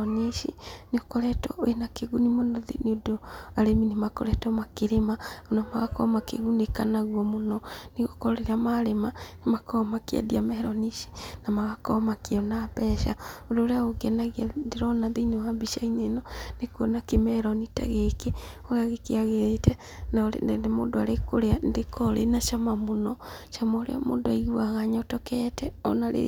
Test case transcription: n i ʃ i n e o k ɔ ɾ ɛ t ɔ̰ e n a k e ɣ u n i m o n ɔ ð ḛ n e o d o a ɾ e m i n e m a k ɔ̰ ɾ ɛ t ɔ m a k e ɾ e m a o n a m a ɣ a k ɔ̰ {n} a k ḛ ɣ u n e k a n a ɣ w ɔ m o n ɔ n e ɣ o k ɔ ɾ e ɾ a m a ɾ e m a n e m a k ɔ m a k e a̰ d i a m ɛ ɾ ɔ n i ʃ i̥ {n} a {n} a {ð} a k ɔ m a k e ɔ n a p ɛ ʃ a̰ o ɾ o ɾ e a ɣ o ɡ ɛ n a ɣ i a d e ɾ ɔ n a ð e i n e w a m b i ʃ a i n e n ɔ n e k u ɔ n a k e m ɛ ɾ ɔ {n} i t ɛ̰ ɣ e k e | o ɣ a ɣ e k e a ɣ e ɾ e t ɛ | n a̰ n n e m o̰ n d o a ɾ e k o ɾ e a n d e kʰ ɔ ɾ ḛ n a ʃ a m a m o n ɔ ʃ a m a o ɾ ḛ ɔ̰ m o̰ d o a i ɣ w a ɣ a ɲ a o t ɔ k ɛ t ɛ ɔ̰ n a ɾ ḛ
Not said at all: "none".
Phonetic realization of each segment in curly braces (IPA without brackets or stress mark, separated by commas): m, n, m, ɣ, n